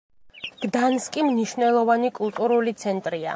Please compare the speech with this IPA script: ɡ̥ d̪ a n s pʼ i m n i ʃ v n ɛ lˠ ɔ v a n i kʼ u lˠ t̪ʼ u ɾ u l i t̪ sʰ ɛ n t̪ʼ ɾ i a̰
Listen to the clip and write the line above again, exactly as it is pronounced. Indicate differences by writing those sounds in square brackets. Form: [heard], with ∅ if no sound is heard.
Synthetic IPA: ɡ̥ d̪ a n s [kʼ] i m n i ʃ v n ɛ lˠ ɔ v a n i kʼ u lˠ t̪ʼ u ɾ u l i t̪ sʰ ɛ n t̪ʼ ɾ i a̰